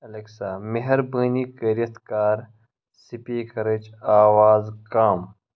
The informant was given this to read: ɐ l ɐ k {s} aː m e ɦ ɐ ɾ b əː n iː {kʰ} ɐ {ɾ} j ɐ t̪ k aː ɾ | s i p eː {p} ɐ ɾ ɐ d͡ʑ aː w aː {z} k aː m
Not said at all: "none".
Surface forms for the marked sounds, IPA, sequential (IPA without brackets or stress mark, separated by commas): s, k, ɾ, k, z